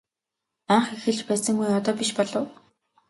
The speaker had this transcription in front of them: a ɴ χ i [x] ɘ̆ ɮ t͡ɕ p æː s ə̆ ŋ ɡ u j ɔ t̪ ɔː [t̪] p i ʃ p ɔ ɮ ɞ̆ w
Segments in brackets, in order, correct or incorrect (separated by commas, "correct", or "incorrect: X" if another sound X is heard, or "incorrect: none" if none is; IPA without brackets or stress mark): correct, incorrect: none